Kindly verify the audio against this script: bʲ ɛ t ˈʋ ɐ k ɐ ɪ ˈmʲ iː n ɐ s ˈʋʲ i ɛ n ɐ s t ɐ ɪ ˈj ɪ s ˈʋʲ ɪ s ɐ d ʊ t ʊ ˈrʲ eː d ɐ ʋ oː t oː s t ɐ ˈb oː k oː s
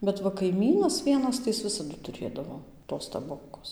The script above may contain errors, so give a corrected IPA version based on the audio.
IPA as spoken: bʲ ɛ t ˈʋ ɐ k ɐ ɪ ˈmʲ iː n ɐ s ˈʋʲ i ɛ n ɐ s t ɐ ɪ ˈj ɪ s ˈʋʲ ɪ s ɐ d ʊ t ʊ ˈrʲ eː d ɐ ʋ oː t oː s t ɐ ˈb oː k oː s